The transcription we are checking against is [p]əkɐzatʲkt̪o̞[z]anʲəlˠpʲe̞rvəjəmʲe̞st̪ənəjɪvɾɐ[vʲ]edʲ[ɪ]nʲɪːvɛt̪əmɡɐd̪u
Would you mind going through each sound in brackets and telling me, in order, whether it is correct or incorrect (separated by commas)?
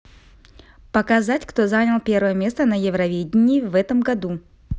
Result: correct, correct, correct, correct